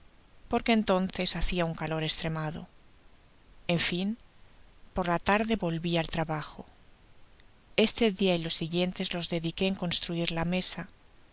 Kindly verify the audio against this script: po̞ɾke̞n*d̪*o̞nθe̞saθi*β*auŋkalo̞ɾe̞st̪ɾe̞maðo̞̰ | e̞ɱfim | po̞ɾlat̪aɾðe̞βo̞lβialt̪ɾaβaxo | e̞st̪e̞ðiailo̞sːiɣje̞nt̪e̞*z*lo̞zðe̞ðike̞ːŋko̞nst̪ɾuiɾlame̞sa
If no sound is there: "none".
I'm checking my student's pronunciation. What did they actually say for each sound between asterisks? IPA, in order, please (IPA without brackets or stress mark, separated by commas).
t̪, none, z